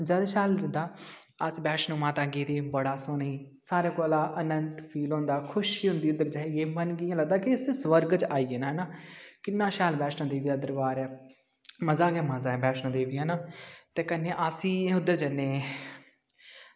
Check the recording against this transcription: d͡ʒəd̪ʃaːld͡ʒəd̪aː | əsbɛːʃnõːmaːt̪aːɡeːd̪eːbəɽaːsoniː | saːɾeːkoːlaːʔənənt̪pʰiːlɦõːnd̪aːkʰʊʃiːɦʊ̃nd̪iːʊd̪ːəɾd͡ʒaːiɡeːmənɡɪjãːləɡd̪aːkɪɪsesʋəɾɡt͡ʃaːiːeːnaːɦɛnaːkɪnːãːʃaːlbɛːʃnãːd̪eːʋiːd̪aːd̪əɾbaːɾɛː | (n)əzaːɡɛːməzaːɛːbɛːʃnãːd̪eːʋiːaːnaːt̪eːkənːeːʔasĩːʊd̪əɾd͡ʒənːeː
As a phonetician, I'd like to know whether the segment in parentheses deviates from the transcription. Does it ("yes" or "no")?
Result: yes